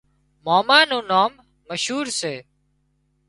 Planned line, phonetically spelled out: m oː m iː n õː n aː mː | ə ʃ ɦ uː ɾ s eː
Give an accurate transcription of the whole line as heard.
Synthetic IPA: m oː m aː n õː n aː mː | ə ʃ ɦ uː ɾ s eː